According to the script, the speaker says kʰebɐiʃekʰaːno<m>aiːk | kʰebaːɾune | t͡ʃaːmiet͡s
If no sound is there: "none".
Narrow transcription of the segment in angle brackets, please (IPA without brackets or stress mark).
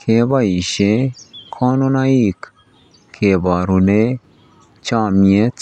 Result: n